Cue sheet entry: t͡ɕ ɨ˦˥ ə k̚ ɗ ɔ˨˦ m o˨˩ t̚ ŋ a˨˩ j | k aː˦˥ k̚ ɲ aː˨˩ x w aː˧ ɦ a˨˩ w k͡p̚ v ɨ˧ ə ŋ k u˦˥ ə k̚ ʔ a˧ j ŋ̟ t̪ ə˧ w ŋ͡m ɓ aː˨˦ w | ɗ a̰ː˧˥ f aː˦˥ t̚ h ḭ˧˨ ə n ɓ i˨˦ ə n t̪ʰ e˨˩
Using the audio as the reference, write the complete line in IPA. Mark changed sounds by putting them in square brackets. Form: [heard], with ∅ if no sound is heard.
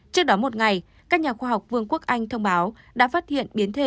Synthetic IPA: t͡ɕ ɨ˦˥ ə k̚ ɗ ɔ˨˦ m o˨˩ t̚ ŋ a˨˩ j | k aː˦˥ k̚ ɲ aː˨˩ x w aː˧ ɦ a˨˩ w k͡p̚ v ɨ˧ ə ŋ k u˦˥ ə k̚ ʔ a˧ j ŋ̟ [t̪ʰ] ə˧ w ŋ͡m ɓ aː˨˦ w | ɗ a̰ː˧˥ f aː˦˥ t̚ h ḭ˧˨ ə n ɓ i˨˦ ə n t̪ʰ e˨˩